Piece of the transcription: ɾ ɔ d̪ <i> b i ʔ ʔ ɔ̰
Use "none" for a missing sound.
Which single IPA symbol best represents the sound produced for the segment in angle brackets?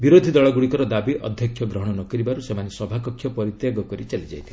a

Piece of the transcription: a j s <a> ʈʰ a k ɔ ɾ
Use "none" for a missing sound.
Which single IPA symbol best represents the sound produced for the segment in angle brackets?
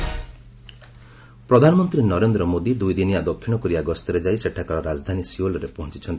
e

